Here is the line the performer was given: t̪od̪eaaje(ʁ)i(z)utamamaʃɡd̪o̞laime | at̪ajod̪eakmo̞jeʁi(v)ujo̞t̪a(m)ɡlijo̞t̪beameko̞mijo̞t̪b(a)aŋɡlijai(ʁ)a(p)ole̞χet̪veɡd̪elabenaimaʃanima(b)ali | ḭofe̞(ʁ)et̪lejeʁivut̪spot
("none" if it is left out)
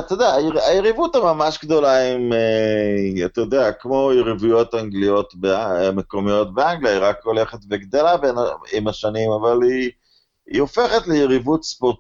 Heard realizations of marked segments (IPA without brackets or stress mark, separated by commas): ʁ, v, v, ŋ, e, ʁ, k, v, χ